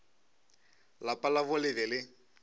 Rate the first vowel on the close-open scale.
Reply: open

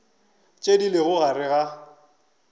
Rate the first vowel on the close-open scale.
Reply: mid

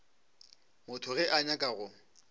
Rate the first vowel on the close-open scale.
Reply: close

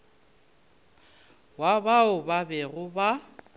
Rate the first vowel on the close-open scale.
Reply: open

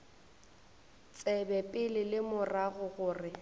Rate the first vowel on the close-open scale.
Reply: mid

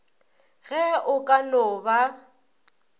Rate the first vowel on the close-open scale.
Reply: mid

